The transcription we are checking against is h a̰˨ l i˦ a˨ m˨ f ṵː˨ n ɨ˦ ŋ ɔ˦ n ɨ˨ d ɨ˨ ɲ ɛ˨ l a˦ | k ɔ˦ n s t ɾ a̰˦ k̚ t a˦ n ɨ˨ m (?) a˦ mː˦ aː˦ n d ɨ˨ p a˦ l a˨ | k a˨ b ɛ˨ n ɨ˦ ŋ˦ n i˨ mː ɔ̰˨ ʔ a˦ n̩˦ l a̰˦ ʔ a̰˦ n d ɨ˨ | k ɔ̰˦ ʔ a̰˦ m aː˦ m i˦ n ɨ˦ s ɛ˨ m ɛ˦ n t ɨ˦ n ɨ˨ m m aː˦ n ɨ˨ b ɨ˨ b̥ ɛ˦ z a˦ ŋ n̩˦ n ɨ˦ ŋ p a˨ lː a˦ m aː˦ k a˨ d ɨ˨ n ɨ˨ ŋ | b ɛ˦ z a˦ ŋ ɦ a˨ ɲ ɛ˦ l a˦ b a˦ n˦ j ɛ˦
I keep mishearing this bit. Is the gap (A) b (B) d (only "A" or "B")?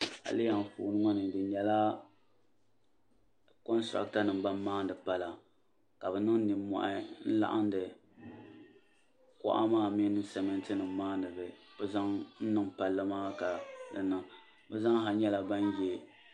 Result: A